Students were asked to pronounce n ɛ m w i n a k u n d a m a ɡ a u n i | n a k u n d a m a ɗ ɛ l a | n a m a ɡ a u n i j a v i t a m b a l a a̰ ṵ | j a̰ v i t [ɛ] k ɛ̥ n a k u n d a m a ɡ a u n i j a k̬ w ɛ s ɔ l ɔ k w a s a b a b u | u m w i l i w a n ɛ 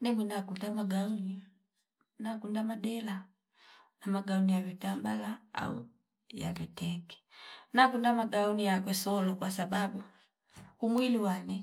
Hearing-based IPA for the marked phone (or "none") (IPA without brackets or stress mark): ɛ